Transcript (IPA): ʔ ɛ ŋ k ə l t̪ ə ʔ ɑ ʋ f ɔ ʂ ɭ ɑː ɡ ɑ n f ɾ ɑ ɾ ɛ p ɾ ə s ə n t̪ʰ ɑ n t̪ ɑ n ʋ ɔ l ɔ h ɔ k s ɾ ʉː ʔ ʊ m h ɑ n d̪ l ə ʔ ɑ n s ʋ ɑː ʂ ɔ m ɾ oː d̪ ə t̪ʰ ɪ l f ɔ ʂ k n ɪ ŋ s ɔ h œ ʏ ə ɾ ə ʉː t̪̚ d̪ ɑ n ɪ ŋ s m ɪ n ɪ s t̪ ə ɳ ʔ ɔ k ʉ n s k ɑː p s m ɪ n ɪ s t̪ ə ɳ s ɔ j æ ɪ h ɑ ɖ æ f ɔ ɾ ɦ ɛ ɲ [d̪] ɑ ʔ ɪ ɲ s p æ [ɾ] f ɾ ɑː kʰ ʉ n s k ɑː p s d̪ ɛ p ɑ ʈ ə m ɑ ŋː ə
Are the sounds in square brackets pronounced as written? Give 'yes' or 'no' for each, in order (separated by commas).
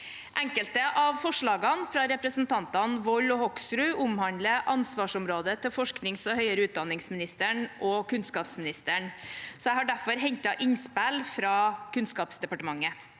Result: no, no